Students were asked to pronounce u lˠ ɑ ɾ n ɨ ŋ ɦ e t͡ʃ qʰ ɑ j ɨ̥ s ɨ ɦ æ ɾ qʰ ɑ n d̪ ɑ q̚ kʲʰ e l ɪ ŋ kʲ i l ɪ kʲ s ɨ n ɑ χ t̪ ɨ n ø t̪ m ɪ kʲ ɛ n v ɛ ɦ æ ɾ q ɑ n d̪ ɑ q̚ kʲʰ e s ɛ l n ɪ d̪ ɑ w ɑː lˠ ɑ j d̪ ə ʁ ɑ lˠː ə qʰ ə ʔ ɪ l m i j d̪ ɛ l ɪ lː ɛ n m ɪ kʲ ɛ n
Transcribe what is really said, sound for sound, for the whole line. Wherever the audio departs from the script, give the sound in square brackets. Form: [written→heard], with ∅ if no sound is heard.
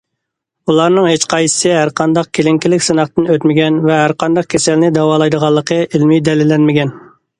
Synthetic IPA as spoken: u lˠ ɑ ɾ n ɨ ŋ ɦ e t͡ʃ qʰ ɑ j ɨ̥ s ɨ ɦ æ ɾ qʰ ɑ n d̪ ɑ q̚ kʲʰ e l ɪ ŋ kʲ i l ɪ kʲ s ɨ n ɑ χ t̪ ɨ n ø t̪ m ɪ [kʲ→ɡʲ] ɛ n v ɛ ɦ æ ɾ q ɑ n d̪ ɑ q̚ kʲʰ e s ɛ l n ɪ d̪ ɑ w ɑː lˠ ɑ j d̪ ə ʁ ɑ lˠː ə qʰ ə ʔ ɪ l m i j d̪ ɛ l ɪ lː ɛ n m ɪ [kʲ→ɡʲ] ɛ n